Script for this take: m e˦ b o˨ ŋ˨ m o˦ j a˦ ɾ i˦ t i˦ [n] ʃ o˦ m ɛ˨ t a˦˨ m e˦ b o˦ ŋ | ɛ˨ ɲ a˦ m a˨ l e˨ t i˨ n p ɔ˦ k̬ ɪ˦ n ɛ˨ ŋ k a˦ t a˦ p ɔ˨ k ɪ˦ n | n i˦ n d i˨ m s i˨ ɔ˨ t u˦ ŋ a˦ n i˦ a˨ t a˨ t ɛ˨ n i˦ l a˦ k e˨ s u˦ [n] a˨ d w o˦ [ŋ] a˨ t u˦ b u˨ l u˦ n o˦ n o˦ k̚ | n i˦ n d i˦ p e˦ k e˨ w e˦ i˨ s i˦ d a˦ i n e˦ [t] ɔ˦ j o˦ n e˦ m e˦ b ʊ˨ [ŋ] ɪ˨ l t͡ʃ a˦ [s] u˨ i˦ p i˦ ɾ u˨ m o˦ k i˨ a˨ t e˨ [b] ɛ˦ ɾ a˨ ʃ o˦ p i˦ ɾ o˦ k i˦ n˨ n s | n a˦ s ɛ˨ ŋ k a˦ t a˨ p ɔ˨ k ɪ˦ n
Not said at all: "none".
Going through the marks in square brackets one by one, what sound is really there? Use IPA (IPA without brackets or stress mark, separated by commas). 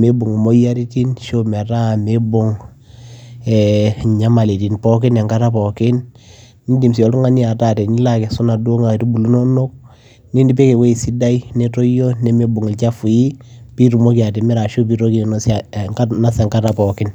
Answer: n, n, ŋ, t, ŋ, f, m